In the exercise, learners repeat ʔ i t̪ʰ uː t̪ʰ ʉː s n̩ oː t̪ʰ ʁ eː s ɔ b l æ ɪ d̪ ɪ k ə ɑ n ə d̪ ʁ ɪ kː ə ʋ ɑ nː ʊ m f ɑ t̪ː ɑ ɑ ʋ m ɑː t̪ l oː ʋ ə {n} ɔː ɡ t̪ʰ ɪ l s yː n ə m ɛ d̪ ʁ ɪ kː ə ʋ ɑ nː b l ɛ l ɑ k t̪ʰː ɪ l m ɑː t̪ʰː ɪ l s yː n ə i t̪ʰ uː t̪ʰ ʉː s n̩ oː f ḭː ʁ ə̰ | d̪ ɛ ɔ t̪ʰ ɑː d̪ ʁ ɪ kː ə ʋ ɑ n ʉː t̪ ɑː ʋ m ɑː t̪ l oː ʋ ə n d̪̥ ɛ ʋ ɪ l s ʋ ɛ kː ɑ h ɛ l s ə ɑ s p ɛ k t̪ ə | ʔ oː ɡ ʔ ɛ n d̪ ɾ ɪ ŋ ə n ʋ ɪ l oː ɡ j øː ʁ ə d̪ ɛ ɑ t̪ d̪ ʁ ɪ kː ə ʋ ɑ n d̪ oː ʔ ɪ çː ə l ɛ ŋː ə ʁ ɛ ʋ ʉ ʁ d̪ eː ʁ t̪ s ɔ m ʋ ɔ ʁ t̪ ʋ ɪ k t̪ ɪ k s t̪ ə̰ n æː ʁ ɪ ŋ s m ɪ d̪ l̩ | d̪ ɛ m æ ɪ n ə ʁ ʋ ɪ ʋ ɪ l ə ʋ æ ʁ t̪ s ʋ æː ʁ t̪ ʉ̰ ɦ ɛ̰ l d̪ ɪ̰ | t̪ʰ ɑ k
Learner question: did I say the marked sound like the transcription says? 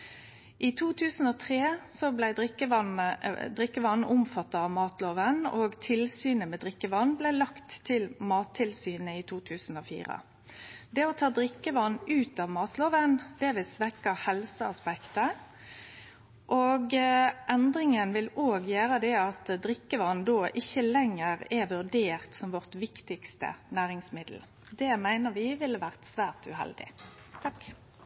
yes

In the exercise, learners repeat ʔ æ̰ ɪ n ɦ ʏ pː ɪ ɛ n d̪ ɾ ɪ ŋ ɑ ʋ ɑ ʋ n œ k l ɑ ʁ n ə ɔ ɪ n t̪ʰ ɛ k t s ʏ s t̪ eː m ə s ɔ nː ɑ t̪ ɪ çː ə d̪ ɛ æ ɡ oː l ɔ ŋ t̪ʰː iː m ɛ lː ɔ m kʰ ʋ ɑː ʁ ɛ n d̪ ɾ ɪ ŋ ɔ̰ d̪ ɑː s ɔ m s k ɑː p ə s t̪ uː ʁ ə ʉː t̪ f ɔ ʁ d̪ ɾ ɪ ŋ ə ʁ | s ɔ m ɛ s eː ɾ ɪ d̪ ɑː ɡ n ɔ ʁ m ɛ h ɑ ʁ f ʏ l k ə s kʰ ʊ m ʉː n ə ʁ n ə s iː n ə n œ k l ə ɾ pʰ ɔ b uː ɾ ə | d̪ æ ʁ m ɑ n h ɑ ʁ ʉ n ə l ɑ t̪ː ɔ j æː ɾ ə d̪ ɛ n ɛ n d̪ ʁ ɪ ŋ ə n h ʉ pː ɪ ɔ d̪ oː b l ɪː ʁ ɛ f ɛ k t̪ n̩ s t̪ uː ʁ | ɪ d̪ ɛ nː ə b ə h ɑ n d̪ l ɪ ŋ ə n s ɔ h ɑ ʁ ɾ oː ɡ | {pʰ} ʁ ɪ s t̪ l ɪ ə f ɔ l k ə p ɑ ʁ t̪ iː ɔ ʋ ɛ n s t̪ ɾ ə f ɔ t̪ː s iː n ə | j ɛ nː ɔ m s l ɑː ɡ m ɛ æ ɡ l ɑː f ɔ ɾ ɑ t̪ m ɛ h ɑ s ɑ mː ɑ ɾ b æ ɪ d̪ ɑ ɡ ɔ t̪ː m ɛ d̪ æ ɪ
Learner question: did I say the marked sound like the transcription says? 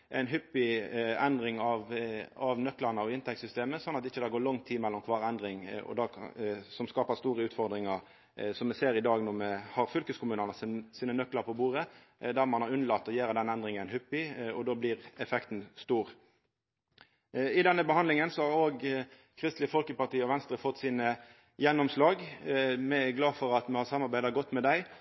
no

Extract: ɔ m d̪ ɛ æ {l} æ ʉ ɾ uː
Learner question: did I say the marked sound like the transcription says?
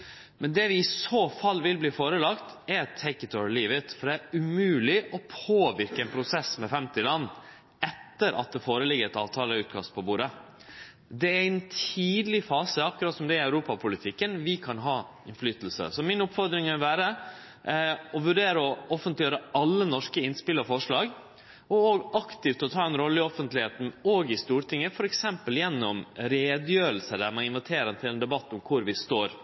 no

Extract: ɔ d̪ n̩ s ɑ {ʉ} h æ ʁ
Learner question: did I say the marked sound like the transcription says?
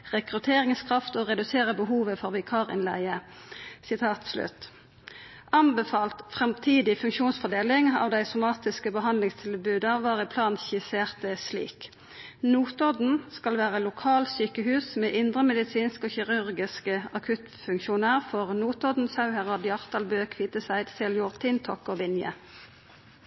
yes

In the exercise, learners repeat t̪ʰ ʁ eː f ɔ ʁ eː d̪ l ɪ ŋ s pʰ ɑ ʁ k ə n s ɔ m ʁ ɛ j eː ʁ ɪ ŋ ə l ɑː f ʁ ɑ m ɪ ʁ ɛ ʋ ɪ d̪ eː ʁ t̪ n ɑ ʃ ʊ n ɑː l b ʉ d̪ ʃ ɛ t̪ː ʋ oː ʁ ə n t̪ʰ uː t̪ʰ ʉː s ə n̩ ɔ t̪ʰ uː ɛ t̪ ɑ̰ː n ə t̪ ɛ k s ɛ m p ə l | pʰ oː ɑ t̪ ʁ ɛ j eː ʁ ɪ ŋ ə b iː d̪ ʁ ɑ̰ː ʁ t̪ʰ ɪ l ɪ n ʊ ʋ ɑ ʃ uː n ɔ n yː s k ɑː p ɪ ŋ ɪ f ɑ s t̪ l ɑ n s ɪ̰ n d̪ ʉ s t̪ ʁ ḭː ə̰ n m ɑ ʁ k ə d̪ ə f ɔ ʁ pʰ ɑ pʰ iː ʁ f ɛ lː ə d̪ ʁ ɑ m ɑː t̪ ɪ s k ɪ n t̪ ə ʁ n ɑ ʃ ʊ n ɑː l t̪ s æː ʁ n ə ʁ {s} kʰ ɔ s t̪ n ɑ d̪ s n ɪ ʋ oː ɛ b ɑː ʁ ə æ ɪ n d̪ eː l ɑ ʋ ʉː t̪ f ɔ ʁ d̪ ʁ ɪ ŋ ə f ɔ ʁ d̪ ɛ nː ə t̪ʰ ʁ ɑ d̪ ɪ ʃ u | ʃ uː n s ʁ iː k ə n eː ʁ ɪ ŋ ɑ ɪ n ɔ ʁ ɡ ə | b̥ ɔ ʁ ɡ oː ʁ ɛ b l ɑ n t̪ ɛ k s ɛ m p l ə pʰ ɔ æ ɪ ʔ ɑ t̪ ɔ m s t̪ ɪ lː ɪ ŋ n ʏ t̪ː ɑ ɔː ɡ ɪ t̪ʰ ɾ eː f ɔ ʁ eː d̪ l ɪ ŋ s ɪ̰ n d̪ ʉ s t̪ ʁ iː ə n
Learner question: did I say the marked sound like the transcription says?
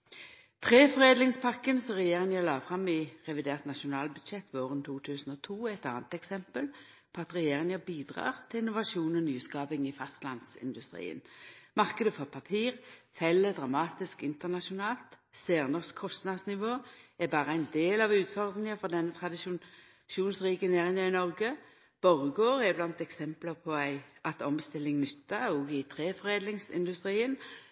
yes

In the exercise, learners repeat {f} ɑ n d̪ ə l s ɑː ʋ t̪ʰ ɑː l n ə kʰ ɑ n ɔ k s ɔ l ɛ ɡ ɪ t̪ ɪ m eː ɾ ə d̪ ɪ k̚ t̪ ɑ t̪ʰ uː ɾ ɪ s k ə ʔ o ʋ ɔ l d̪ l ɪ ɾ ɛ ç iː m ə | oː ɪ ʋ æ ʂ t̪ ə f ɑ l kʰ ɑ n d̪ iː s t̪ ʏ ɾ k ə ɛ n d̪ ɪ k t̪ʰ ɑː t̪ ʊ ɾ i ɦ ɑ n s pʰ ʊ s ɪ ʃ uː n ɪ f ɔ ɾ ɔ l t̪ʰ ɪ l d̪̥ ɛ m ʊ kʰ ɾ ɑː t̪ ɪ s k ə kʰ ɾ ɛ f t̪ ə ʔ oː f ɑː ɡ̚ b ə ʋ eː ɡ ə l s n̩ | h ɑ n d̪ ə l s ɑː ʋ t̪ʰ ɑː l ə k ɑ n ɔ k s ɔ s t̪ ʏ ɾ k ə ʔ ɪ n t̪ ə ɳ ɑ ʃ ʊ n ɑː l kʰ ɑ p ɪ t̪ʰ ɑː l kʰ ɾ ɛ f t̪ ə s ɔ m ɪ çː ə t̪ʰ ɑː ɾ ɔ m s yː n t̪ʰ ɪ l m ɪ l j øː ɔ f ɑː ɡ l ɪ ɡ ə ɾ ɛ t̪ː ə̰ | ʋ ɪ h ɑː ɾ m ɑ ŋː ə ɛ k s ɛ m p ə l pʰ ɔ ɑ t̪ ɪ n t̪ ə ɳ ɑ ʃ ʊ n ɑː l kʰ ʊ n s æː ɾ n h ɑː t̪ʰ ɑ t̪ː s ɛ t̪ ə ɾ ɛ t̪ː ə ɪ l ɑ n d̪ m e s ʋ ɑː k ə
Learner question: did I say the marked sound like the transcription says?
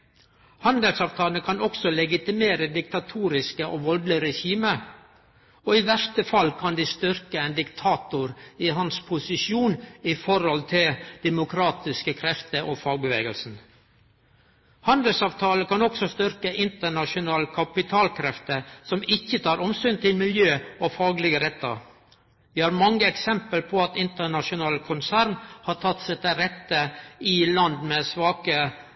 no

